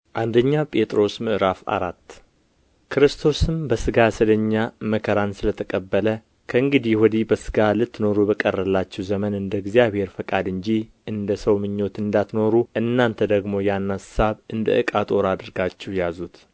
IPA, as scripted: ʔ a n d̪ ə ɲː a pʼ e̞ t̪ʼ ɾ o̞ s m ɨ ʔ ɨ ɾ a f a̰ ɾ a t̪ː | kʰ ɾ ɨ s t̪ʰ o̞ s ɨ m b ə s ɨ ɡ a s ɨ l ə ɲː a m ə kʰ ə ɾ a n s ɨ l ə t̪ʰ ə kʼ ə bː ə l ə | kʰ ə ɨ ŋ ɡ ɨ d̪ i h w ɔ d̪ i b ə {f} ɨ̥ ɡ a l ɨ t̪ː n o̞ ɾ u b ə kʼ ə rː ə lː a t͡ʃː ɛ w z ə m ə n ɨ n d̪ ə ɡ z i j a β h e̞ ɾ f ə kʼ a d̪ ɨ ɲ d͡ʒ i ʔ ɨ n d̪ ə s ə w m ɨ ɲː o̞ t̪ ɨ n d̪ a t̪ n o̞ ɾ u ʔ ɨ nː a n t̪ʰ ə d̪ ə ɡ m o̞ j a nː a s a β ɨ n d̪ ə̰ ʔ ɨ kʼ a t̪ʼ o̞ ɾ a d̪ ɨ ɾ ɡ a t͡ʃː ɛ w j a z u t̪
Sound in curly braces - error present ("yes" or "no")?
yes